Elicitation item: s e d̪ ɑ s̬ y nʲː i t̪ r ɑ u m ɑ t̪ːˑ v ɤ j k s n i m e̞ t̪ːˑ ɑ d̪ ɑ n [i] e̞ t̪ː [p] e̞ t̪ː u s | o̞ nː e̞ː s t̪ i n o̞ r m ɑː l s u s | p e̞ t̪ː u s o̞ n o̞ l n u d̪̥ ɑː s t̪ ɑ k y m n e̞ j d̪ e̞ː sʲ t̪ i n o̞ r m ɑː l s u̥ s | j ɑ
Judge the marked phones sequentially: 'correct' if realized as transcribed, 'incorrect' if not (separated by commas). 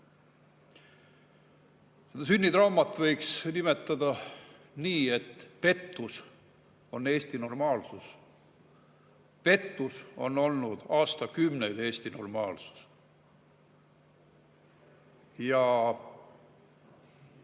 incorrect, correct